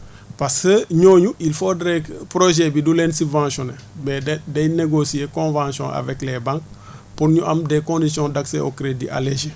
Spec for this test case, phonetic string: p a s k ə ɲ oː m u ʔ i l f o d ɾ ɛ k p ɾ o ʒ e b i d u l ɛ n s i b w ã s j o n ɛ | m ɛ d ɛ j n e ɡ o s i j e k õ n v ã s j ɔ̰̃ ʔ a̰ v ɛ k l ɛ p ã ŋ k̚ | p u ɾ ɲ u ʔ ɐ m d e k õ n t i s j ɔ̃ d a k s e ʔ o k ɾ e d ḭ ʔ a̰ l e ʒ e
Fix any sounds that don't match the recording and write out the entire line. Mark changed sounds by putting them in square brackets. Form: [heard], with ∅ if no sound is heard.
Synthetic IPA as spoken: p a s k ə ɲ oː [ɲ] u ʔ i l f o d ɾ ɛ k p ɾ o ʒ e b i d u l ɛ n s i b [v] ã s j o n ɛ | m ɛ d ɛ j n e ɡ o s i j e k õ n v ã s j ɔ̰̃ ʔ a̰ v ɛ k l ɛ [b] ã ŋ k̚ | p u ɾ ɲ u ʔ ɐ m d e k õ n [d] i s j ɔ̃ d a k s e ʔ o k ɾ e d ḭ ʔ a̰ l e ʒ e